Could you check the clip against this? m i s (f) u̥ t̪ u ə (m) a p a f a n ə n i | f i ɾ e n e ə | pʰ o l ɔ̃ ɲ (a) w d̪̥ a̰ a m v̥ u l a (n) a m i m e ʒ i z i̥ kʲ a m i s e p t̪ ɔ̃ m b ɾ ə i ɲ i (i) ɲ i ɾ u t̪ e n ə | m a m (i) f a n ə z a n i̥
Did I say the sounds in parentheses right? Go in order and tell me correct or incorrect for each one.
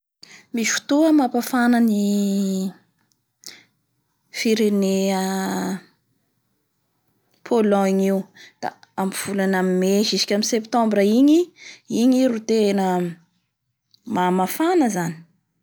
correct, correct, incorrect: i, correct, correct, incorrect: a

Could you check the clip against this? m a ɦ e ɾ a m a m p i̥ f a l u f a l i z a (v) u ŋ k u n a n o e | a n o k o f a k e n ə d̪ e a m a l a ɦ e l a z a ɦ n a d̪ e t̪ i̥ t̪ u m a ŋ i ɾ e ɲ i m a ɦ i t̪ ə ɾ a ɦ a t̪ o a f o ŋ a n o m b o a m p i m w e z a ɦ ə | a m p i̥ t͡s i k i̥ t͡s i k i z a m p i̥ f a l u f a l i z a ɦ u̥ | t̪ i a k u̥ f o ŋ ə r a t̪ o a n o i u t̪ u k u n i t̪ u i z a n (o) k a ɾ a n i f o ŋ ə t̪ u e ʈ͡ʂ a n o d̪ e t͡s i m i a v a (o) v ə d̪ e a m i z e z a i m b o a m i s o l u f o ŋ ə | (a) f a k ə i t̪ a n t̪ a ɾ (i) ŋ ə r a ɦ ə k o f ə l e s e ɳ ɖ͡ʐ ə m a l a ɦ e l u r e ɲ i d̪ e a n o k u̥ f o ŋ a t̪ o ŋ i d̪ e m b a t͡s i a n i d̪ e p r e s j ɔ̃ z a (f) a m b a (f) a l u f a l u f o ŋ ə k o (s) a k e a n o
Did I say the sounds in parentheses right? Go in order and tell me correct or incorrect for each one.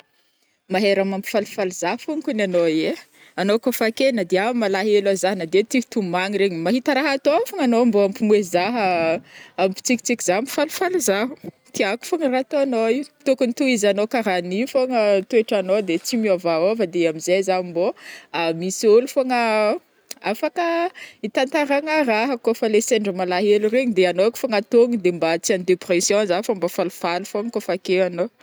incorrect: f, correct, correct, correct, incorrect: a, correct, correct, incorrect: f

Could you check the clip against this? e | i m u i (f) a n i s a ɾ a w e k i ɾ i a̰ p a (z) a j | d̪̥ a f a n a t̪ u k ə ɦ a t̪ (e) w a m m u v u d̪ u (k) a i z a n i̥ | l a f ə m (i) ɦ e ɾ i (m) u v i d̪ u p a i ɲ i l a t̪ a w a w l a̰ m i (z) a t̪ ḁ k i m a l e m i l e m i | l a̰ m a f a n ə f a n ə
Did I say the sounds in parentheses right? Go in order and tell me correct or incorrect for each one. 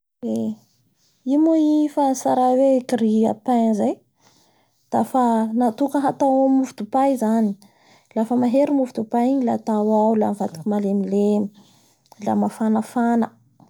correct, correct, incorrect: a, incorrect: p, incorrect: a, correct, incorrect: v

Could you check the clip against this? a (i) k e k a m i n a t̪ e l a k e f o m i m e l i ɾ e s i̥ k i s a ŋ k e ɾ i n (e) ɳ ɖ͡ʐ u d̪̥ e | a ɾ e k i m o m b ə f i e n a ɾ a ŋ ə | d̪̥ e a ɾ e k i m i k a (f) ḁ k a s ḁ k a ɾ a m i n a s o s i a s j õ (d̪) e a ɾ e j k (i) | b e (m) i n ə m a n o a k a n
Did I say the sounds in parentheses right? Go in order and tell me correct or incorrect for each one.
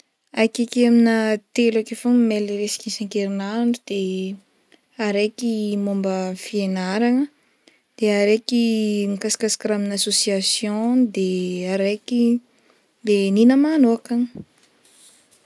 incorrect: j, incorrect: a, incorrect: s, correct, correct, incorrect: n

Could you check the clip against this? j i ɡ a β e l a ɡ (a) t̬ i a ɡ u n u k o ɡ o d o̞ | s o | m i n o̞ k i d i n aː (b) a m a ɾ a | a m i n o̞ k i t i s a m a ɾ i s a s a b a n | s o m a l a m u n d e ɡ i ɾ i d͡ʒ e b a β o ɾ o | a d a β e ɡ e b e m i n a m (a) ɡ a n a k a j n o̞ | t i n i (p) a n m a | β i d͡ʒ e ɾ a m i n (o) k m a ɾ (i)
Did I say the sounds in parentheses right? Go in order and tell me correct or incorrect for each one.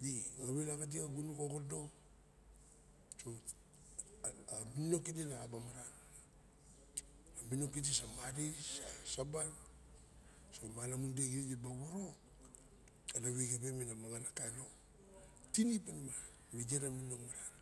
correct, correct, correct, correct, correct, incorrect: a

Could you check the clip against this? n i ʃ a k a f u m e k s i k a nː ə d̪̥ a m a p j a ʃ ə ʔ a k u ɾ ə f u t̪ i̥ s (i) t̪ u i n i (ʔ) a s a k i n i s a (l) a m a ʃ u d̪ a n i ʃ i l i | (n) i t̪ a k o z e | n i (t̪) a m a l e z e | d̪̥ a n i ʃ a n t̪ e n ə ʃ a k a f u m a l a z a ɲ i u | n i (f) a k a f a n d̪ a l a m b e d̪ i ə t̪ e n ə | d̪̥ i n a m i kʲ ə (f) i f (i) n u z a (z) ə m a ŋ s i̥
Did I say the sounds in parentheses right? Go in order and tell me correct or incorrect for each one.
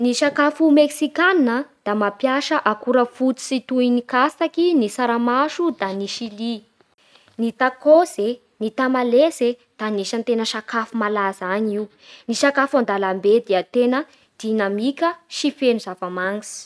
correct, incorrect: k, incorrect: ɾ, correct, correct, incorrect: ʃ, incorrect: ʃ, incorrect: e, incorrect: v

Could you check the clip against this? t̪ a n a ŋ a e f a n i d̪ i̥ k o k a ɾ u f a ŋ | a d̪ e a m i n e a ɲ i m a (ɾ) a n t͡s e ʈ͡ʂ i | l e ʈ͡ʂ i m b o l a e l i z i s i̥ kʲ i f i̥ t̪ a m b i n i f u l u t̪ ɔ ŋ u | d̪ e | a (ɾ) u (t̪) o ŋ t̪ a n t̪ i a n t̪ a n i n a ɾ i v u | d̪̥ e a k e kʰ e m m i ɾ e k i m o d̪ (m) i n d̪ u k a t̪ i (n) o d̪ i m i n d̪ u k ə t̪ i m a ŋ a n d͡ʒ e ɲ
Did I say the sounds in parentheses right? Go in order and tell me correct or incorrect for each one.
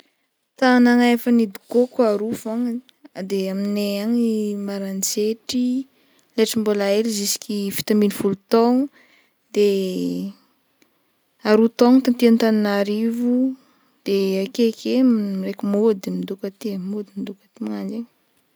correct, correct, correct, correct, incorrect: m

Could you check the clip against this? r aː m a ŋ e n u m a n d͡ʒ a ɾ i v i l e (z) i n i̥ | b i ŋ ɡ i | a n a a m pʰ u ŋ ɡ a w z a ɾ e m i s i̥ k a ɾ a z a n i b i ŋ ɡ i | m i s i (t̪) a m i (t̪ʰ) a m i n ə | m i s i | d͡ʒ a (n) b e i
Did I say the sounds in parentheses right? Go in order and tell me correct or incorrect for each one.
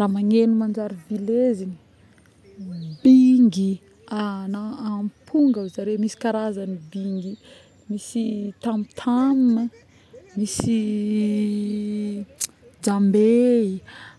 correct, correct, correct, incorrect: m

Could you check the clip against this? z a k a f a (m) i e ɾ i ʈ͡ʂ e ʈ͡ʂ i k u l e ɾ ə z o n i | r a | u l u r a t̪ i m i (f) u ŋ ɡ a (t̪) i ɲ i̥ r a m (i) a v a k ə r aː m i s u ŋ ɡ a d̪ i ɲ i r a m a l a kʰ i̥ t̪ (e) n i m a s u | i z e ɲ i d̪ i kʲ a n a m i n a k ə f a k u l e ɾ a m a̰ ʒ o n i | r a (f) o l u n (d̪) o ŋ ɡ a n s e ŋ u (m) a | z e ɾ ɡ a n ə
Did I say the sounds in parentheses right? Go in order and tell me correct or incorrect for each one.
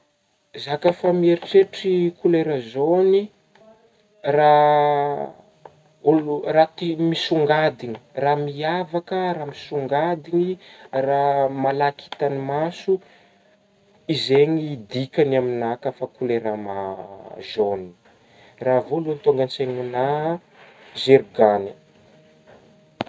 correct, incorrect: s, incorrect: d̪, correct, incorrect: a, incorrect: v, incorrect: t̪, incorrect: n

